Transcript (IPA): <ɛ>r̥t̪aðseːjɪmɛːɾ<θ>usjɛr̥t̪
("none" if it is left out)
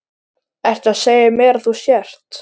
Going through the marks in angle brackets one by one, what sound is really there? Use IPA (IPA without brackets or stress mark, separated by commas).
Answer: ɛ, θ